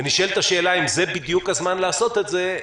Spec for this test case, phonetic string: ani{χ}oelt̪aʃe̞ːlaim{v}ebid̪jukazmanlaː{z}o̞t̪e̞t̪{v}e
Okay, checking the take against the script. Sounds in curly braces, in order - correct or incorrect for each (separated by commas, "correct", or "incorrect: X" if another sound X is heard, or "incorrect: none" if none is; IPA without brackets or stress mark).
incorrect: ʃ, incorrect: z, incorrect: s, incorrect: z